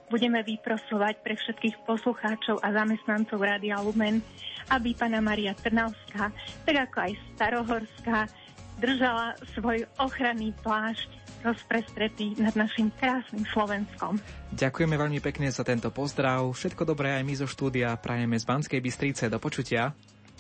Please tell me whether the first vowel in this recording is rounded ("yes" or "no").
yes